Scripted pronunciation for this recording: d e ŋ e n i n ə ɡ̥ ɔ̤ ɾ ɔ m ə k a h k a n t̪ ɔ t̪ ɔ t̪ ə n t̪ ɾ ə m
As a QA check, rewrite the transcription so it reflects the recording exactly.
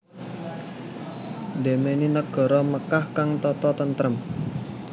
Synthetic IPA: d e m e n i n ə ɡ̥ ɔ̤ ɾ ɔ m ə k a h k a ŋ t̪ ɔ t̪ ɔ t̪ ə n t̪ ɾ ə m